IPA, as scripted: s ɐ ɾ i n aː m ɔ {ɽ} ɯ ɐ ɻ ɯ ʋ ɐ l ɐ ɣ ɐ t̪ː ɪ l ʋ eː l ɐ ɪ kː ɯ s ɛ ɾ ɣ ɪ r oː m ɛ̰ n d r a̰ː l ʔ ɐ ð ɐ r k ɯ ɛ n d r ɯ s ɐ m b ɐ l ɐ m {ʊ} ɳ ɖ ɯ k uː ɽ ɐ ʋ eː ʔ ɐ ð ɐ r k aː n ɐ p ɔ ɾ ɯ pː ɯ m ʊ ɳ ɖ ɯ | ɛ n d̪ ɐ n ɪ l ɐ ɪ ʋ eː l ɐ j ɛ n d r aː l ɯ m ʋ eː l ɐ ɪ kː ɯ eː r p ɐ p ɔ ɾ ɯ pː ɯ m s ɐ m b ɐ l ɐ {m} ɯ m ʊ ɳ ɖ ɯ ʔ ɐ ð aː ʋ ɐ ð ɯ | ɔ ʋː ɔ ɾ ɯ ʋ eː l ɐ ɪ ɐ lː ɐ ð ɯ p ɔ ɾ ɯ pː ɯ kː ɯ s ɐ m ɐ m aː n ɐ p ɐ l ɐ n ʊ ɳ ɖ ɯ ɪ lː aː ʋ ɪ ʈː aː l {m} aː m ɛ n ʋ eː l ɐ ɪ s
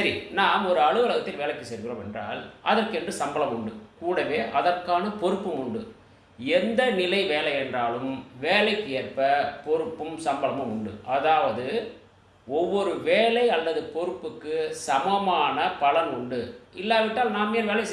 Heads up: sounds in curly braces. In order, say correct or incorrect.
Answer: incorrect, correct, correct, incorrect

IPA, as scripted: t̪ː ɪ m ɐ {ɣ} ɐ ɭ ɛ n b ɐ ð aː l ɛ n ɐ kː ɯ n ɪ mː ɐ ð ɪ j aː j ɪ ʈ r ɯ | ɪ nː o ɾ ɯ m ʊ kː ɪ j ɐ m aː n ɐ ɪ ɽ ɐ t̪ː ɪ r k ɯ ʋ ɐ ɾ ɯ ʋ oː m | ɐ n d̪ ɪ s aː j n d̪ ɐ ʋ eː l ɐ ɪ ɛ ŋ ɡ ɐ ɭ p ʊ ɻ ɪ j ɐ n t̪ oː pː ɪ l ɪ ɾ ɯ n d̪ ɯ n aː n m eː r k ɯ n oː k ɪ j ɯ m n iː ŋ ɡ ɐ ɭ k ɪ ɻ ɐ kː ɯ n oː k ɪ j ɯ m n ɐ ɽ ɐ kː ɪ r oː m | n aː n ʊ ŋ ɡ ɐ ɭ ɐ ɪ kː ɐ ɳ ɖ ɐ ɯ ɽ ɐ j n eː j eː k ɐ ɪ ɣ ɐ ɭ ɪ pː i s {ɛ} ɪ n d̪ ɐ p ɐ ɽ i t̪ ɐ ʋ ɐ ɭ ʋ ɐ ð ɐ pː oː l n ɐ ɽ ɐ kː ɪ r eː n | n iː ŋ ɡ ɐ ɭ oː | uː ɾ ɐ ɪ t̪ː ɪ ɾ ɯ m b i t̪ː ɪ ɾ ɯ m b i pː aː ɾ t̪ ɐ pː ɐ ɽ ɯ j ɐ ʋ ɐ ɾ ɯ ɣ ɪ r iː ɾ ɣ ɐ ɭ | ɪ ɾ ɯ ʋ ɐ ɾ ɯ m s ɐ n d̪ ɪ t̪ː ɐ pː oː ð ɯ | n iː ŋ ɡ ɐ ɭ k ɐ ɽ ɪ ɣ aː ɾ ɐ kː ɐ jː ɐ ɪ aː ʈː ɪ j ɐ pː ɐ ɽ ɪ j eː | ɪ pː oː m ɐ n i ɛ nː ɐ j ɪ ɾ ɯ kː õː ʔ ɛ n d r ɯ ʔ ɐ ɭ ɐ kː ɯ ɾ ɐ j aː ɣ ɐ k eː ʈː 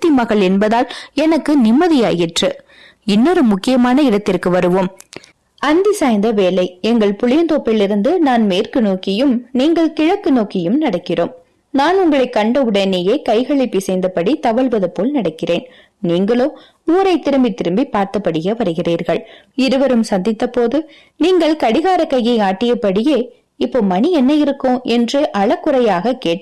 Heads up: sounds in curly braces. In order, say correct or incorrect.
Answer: correct, correct

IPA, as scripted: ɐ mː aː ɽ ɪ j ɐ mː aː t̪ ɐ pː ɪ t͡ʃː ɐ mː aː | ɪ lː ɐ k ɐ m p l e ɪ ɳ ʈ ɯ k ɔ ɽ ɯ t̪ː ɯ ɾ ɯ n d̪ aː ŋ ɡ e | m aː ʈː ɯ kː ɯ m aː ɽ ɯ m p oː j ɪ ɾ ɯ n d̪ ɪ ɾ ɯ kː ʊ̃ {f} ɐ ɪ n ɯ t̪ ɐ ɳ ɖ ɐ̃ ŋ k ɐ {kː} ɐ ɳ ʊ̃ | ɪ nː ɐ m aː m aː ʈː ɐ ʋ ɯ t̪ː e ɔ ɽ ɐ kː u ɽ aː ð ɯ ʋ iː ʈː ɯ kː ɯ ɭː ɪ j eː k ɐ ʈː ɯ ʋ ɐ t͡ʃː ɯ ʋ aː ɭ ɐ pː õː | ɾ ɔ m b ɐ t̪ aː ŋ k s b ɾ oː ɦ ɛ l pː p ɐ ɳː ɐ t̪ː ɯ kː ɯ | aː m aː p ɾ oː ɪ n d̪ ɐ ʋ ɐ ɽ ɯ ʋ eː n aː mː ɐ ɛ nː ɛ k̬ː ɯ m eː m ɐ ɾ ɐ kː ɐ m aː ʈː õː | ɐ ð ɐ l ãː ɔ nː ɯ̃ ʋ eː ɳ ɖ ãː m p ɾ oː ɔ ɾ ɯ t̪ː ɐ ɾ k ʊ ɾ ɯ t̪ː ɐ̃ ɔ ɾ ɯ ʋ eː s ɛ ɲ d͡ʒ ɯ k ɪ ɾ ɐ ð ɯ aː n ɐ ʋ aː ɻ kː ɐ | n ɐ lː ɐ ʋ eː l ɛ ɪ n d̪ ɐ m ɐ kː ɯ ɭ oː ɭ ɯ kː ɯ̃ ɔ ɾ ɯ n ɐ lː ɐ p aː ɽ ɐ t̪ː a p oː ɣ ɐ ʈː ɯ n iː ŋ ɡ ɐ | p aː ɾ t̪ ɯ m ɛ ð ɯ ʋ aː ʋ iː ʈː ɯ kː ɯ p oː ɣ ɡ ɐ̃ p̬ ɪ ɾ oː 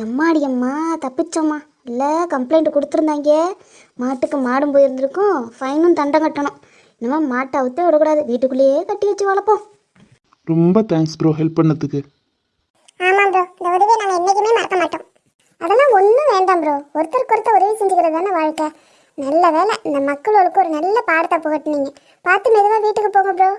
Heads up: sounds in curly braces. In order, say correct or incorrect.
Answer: correct, incorrect

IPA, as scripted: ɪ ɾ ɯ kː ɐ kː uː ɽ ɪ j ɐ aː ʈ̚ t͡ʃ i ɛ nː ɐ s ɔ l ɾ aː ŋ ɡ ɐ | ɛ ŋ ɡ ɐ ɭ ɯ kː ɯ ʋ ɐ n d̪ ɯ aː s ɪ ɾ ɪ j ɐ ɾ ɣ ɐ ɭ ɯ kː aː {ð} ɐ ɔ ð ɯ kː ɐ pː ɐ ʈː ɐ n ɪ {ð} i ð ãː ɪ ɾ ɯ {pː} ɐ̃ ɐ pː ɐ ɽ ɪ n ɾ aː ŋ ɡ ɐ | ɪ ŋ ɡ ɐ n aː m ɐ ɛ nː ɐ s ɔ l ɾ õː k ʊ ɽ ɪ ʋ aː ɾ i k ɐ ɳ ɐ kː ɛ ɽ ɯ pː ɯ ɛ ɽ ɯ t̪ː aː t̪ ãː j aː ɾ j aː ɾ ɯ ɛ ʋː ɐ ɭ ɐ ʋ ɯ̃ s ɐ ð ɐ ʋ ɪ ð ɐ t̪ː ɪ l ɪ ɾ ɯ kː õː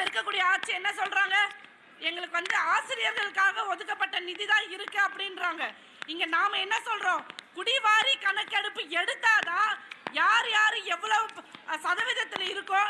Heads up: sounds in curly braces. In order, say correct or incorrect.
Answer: incorrect, correct, incorrect

